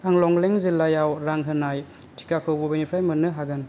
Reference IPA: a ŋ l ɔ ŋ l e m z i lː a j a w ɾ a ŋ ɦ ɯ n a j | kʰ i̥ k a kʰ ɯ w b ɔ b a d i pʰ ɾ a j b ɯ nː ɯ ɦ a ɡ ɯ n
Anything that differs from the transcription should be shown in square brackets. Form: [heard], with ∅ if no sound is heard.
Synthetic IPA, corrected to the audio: a ŋ l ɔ ŋ l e [ŋ] z i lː a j a w ɾ a ŋ ɦ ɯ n a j | [tʰ] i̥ k a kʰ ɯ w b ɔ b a [n] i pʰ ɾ a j [m] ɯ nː ɯ ɦ a ɡ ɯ n